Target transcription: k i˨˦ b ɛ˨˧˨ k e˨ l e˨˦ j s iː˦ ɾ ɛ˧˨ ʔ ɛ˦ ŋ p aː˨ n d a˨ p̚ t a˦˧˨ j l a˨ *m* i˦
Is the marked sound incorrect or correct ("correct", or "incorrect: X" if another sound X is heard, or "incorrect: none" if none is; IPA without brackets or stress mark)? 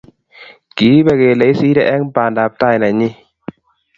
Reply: incorrect: ɲ